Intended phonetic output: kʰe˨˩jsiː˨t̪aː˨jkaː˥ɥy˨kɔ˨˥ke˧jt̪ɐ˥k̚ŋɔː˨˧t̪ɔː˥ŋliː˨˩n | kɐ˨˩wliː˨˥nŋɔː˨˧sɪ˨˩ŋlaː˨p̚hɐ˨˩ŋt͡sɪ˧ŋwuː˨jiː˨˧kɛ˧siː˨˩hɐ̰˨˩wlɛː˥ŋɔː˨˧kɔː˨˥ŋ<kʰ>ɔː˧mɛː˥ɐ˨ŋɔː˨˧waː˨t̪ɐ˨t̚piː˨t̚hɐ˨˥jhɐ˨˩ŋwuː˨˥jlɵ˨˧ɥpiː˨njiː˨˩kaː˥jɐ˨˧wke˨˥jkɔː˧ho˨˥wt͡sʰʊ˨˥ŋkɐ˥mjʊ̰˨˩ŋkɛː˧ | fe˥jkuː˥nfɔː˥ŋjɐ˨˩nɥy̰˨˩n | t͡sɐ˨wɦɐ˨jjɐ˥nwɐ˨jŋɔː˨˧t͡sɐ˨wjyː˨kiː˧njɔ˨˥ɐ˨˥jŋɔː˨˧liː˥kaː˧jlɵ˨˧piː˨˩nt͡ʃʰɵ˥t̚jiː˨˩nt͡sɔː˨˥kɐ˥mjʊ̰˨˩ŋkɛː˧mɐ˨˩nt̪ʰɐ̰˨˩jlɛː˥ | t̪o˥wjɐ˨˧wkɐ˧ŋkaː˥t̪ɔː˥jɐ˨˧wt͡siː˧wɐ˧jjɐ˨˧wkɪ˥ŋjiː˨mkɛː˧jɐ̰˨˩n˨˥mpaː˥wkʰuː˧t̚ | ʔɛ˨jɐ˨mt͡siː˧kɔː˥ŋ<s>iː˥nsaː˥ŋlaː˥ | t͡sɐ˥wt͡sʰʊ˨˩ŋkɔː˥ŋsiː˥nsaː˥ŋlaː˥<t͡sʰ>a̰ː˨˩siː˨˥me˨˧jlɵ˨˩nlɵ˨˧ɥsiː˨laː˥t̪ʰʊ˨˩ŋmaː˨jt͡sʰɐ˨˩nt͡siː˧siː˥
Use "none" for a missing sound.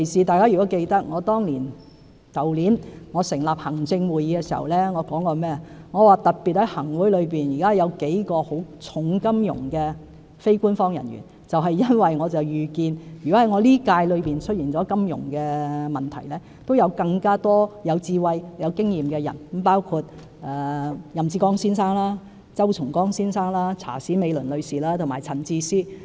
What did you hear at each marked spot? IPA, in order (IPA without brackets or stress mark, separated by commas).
k, s, t͡sʰ